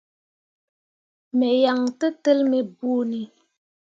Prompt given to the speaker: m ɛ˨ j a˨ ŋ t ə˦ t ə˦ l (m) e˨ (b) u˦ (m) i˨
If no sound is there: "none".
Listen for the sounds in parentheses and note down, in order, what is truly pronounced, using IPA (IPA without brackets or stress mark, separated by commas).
m, b, n